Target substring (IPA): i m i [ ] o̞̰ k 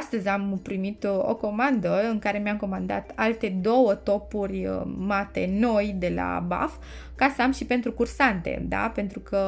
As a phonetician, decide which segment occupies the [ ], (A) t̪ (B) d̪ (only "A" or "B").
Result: A